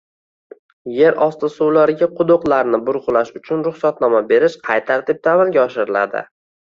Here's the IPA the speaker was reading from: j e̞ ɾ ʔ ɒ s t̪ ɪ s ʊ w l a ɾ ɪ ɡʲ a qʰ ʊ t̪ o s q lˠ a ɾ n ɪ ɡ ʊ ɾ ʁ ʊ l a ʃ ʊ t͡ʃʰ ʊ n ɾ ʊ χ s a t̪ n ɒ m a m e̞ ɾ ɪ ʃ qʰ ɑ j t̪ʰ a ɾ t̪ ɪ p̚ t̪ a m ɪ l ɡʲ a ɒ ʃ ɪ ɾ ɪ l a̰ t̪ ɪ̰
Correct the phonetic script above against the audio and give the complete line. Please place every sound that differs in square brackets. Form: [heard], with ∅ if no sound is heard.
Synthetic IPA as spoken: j e̞ ɾ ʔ ɒ s t̪ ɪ s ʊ w l a ɾ ɪ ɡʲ a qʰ ʊ [d̪] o [∅] q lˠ a ɾ n ɪ [b] ʊ ɾ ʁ ʊ l a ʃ ʊ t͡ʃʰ ʊ n ɾ ʊ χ s a t̪ n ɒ m a [b] e̞ ɾ ɪ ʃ qʰ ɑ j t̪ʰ a ɾ t̪ ɪ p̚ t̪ a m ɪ l ɡʲ a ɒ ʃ ɪ ɾ ɪ l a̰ [d̪] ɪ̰